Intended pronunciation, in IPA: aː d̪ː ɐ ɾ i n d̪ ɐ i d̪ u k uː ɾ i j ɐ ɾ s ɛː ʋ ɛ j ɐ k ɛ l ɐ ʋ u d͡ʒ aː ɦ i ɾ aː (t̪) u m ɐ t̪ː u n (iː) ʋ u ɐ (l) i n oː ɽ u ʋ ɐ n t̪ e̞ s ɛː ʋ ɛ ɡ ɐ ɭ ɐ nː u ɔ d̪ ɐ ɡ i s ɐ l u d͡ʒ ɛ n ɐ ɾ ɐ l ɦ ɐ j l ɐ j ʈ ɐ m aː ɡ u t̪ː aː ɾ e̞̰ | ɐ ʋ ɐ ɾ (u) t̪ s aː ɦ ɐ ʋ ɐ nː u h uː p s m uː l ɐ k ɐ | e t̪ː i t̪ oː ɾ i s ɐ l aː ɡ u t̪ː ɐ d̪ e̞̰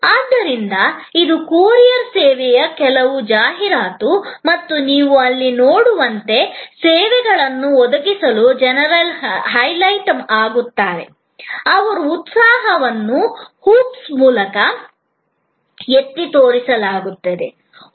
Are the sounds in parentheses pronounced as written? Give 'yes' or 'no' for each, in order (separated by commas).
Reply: yes, yes, no, no